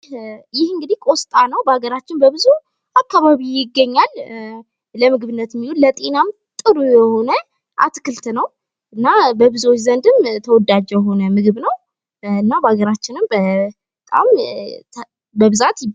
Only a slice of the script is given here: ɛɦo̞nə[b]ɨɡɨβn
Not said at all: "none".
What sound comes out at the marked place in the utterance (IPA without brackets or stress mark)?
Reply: m